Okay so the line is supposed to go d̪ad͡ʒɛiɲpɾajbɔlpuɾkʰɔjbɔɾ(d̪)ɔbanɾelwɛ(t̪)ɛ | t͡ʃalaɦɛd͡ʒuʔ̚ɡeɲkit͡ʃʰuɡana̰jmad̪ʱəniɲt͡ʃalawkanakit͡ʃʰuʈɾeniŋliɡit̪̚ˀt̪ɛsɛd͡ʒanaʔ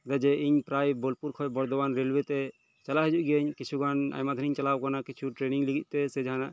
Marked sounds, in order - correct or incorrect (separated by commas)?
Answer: correct, correct